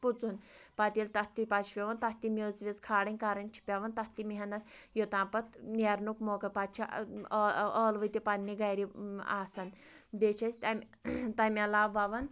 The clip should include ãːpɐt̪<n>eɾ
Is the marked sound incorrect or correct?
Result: correct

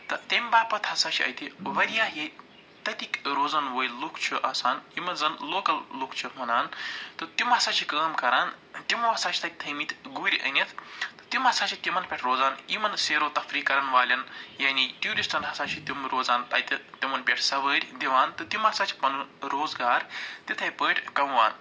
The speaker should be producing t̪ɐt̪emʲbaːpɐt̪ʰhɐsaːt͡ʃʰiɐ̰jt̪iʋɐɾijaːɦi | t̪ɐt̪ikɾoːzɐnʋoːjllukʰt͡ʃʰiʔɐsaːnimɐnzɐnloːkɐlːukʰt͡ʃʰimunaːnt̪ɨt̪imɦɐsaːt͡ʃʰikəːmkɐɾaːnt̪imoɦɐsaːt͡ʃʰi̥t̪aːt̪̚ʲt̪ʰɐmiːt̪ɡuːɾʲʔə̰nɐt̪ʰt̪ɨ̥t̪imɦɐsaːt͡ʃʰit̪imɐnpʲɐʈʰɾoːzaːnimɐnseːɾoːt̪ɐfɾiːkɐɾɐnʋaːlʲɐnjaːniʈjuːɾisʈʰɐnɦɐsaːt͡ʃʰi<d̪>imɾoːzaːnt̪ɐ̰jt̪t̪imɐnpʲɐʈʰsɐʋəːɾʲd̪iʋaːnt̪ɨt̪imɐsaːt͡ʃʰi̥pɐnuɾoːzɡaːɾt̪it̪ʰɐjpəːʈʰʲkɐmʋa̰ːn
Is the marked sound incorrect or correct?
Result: incorrect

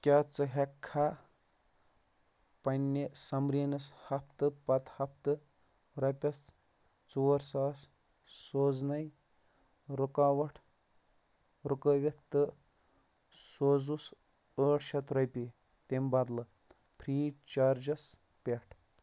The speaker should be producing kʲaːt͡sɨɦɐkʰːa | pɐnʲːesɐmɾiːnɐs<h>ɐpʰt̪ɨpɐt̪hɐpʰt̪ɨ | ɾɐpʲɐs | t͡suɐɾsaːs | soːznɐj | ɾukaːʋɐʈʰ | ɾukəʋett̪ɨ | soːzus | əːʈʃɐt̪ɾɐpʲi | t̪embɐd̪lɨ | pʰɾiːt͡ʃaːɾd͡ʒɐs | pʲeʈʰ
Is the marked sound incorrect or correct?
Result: correct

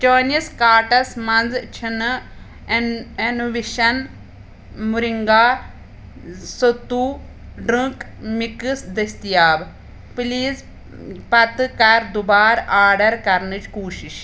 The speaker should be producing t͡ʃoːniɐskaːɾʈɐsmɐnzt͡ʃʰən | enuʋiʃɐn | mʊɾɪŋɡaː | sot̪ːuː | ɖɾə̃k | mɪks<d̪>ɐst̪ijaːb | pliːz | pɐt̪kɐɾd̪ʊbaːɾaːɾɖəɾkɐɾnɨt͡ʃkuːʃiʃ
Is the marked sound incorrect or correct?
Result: correct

